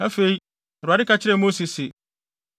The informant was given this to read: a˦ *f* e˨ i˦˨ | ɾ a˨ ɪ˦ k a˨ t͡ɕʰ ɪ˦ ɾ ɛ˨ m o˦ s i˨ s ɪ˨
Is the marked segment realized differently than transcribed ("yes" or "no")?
no